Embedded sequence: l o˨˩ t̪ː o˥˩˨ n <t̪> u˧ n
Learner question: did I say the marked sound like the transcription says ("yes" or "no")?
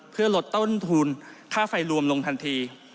no